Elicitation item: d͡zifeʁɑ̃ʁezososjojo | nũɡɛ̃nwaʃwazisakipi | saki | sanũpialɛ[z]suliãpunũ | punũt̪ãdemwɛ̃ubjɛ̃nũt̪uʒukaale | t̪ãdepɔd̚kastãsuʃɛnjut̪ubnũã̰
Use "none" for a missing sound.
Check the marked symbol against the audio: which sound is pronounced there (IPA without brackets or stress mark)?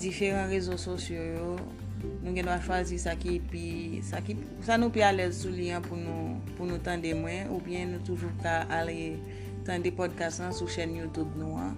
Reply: z